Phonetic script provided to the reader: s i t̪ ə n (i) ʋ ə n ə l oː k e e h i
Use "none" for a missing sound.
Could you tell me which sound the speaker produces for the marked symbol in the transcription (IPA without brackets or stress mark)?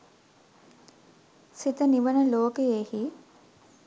i